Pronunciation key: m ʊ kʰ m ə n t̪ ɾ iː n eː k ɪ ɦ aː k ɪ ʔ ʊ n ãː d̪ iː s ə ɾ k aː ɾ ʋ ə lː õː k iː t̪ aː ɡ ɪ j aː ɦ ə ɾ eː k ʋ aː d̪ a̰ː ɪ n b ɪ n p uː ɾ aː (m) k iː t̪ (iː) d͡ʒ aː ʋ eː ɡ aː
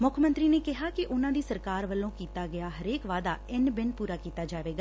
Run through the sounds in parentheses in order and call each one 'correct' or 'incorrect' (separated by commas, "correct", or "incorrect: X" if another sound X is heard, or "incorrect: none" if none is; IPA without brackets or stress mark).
incorrect: none, incorrect: aː